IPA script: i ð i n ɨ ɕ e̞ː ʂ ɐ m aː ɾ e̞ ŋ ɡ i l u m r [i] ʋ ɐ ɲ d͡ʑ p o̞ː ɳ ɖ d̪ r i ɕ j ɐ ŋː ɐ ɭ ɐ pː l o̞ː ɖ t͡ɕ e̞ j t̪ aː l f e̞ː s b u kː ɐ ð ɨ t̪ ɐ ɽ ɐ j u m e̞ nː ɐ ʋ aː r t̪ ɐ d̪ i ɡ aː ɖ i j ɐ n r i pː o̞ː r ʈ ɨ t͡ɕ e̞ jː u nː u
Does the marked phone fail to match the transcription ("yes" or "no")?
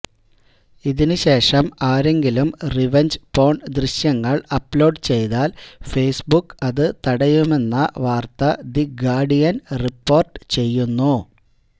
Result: no